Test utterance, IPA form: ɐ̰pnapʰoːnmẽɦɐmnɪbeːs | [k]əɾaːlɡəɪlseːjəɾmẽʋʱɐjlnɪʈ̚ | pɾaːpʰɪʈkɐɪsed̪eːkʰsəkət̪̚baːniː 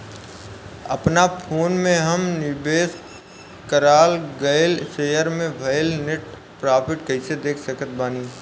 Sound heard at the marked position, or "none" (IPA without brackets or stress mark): k